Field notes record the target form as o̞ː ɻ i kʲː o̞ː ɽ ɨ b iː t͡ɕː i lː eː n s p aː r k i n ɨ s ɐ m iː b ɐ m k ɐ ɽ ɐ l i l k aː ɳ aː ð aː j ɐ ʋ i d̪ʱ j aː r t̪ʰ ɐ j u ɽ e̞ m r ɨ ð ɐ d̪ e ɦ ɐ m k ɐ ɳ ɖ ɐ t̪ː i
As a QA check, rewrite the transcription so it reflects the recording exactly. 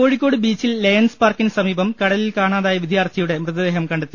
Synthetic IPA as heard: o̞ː ɻ i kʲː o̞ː ɽ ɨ b iː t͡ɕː i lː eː n s p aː r k i n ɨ s ɐ m iː b ɐ m k ɐ ɽ ɐ l i l k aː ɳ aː ð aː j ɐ ʋ i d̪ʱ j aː r t̪ʰ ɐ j u ɽ e̞ m r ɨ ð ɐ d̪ e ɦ ɐ m k ɐ ɳ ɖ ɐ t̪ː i

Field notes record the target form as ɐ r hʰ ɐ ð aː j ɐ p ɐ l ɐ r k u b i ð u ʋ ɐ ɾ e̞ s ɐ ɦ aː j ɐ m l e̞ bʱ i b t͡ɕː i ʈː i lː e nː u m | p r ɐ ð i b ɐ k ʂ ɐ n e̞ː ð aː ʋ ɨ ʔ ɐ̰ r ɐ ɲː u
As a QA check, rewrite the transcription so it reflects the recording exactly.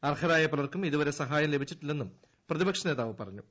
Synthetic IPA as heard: ɐ r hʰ ɐ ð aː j ɐ p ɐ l ɐ r k u m i ð u ʋ ɐ ɾ e̞ s ɐ ɦ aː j ɐ m l e̞ bʱ i t͡ɕː i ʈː i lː e nː u m | p r ɐ ð i b ɐ k ʂ ɐ n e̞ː ð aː ʋ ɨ p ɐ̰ r ɐ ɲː u

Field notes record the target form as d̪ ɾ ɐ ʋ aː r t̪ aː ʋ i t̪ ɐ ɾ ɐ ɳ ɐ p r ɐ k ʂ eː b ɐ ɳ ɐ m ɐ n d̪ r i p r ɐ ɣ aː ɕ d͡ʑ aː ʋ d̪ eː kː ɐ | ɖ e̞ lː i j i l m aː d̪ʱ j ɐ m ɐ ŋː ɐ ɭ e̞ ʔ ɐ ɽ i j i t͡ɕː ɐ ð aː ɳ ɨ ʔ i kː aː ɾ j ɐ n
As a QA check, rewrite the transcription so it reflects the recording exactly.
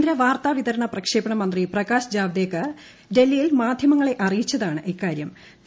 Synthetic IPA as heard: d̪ ɾ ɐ ʋ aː r t̪ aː ʋ i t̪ ɐ ɾ ɐ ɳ ɐ p r ɐ k ʂ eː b ɐ ɳ ɐ m ɐ n d̪ r i p r ɐ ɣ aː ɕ d͡ʑ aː ʋ d̪ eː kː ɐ | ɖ e̞ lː i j i l m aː d̪ʱ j ɐ m ɐ ŋː ɐ ɭ e̞ ʔ ɐ r i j i t͡ɕː ɐ ð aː ɳ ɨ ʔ i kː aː ɾ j ɐ m

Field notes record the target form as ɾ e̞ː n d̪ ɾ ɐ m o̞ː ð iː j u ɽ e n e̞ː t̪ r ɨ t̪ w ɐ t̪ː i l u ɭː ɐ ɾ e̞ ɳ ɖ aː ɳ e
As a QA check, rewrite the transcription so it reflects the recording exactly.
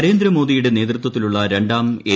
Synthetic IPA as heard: ɾ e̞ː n d̪ ɾ ɐ m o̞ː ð i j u ɽ e n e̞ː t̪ r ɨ t̪ w ɐ t̪ː i l u ɭː ɐ ɾ e̞ ɳ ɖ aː m e

